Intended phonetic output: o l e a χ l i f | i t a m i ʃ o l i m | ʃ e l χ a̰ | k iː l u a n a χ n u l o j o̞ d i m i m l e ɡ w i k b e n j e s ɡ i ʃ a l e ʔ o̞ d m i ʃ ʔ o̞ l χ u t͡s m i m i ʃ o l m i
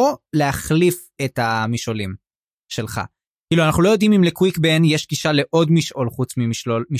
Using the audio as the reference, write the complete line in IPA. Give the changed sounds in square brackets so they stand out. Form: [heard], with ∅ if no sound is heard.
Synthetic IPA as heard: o l e a χ l i f | [e] t a m i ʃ o l i m | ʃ e l χ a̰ | k iː l u a n a χ n u l o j o̞ d i m i m l e [k] w i k b e n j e [ʃ] ɡ i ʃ a l e ʔ o̞ d m i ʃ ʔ o̞ l χ u t͡s m i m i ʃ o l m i